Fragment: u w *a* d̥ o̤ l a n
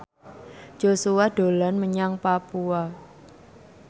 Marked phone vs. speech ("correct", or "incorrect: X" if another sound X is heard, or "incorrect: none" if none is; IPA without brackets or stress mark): correct